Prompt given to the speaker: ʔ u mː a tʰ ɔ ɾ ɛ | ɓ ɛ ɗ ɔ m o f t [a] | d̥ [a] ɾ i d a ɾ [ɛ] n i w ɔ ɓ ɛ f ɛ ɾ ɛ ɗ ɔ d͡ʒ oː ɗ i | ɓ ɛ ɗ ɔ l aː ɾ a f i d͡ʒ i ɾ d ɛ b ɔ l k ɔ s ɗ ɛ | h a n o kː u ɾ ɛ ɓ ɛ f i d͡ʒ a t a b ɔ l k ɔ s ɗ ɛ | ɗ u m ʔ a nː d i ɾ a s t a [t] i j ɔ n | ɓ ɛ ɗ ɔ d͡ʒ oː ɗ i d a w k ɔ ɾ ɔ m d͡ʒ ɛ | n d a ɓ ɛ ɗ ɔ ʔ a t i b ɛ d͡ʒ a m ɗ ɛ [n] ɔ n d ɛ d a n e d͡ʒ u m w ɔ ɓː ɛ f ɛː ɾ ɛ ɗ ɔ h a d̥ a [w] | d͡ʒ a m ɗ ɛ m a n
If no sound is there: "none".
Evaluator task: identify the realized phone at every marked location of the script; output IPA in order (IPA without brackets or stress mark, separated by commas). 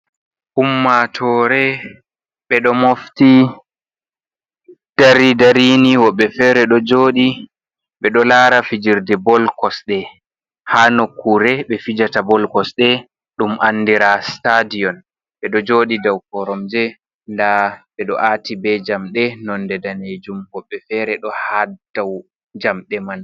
i, a, i, d, n, w